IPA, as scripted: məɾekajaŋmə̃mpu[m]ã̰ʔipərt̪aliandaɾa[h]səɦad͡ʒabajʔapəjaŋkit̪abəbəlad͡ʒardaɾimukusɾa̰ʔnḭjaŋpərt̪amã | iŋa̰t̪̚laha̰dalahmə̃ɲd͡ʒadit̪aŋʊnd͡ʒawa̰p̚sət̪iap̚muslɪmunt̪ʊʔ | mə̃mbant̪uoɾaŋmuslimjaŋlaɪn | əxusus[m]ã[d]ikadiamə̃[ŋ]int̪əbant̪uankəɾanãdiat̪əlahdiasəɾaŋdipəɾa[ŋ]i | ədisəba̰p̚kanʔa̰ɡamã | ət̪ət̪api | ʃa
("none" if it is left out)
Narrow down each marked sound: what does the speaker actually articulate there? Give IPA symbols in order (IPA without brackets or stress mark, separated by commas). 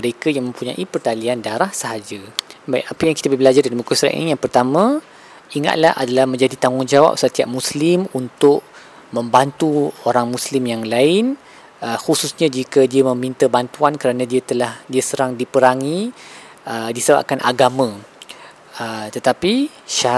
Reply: ɲ, h, ɲ, d͡ʒ, m, ŋ